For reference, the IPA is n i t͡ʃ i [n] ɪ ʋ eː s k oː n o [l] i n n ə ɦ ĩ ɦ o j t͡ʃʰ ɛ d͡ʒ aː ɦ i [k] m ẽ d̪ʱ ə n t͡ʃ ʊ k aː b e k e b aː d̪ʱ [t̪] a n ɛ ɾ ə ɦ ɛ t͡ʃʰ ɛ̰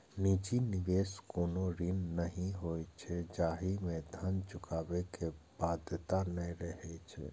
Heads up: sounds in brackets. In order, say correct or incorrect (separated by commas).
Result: correct, incorrect, incorrect, correct